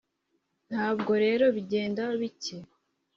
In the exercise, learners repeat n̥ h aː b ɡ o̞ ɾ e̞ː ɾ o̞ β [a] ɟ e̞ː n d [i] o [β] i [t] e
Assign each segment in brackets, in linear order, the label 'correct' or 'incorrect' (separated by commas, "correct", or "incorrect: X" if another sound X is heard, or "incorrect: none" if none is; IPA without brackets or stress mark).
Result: incorrect: i, incorrect: a, correct, incorrect: c